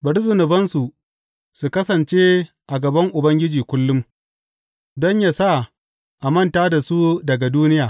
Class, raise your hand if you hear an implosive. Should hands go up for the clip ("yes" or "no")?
no